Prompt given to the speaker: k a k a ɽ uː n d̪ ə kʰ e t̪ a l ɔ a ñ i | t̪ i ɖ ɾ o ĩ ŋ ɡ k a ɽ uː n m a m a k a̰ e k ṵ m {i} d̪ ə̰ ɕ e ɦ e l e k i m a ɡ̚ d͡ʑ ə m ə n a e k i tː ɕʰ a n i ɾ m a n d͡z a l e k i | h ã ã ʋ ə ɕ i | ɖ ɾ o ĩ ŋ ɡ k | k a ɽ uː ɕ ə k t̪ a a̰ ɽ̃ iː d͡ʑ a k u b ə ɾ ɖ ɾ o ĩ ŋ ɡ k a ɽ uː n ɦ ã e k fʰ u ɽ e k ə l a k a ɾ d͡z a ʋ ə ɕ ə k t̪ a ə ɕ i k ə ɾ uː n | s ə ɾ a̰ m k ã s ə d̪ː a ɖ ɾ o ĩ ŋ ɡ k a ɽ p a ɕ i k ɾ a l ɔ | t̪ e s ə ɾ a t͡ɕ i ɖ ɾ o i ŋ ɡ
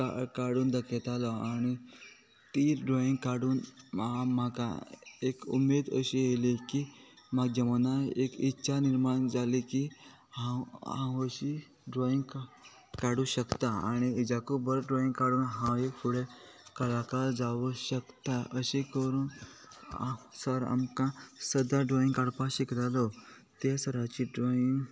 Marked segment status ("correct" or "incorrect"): incorrect